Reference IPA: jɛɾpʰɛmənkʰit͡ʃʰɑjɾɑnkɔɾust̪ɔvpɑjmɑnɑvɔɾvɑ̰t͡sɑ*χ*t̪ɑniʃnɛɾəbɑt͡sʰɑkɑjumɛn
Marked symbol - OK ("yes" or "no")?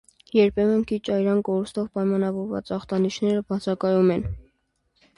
yes